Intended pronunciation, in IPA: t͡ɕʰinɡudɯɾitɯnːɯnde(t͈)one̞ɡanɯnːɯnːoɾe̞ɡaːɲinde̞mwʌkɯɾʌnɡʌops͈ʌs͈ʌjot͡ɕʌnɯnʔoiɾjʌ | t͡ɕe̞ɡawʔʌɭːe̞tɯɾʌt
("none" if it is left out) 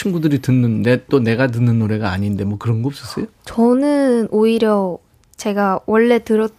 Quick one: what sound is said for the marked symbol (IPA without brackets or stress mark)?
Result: t͈